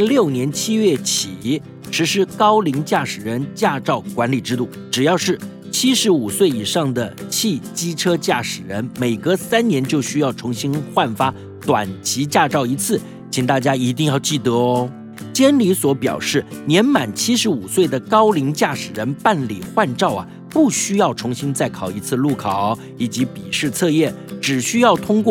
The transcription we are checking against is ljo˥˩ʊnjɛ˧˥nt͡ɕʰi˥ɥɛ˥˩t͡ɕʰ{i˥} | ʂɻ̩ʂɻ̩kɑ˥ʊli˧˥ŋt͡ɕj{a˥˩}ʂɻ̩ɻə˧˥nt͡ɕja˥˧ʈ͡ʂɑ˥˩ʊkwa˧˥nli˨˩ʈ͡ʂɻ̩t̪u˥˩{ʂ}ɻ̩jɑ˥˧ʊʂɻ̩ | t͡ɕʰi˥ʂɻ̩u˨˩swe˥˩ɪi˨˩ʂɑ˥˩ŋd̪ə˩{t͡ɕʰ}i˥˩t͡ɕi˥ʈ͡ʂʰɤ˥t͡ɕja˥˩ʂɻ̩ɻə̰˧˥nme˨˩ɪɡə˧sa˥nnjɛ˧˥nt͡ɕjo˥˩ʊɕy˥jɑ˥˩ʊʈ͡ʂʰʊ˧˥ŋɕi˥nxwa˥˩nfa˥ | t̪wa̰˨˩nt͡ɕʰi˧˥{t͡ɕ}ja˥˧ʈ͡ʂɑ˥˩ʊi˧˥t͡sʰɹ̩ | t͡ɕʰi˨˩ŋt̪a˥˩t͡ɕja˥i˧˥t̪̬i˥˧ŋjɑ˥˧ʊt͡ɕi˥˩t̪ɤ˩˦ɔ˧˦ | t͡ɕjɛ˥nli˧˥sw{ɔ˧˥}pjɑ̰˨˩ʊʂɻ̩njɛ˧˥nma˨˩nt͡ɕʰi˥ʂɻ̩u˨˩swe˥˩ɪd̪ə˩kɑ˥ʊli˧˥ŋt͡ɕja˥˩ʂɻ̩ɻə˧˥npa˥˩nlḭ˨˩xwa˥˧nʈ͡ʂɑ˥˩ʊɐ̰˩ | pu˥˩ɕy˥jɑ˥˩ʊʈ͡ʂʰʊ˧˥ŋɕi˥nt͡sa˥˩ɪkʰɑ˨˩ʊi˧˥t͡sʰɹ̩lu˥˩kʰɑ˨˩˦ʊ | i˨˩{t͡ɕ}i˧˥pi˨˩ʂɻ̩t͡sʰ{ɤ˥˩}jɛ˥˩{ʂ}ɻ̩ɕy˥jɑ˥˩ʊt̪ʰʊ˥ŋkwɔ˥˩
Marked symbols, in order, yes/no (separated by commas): no, yes, no, yes, yes, yes, yes, no, no